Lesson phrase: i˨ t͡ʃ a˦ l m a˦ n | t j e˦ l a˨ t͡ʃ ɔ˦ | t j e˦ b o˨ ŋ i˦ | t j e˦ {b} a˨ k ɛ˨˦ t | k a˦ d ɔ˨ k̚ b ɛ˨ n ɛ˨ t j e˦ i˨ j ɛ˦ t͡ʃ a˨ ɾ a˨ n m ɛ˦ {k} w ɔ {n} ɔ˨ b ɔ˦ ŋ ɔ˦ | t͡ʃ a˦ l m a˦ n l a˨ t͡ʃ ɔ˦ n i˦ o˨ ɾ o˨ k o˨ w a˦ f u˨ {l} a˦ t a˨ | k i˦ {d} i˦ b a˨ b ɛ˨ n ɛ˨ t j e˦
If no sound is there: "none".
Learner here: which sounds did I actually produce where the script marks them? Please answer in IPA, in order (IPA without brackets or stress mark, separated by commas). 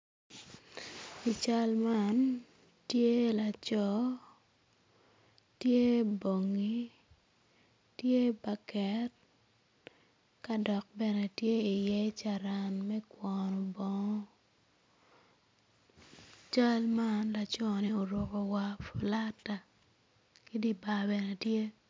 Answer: b, k, n, l, d